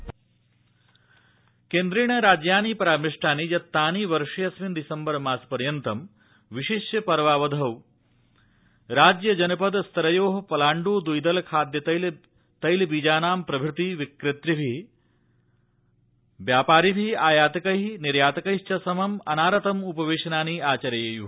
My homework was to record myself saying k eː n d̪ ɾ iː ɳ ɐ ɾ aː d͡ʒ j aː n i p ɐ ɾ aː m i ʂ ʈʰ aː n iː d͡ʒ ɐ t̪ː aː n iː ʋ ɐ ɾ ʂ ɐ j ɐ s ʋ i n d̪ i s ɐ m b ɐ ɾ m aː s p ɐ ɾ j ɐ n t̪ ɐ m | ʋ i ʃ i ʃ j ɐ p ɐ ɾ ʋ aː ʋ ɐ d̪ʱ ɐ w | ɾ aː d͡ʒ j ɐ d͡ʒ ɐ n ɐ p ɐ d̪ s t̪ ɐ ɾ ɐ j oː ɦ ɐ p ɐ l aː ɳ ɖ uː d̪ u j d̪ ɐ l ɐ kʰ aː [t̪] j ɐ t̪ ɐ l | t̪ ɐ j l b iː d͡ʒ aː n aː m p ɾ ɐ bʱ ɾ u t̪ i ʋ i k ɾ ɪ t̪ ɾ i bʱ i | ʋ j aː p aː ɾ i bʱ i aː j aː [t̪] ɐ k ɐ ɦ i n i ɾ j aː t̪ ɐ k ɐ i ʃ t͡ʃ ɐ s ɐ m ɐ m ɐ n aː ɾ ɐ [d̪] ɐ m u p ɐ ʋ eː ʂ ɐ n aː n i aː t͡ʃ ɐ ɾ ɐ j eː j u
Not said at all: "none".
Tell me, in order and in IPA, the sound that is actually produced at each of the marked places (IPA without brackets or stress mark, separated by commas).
d̪, t̪, t̪